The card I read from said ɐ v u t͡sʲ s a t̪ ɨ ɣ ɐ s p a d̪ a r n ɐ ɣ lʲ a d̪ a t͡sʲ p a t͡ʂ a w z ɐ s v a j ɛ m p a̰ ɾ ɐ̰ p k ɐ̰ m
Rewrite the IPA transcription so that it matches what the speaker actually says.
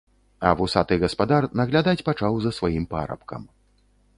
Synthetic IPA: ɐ v u s a t̪ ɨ ɣ ɐ s p a d̪ a r n ɐ ɣ lʲ a d̪ a t͡sʲ p a t͡ʂ a w z ɐ s v a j i m p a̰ ɾ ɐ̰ p k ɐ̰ m